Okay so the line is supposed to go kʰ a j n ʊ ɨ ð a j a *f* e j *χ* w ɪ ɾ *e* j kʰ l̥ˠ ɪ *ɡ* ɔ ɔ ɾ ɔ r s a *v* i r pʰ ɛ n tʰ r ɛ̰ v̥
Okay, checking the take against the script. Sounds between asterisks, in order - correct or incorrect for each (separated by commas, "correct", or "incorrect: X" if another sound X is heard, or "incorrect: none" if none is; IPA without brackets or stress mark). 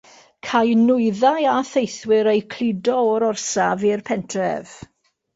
incorrect: θ, incorrect: θ, correct, incorrect: d, correct